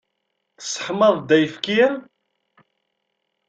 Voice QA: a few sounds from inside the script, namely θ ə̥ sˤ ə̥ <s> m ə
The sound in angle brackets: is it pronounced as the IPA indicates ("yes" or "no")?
no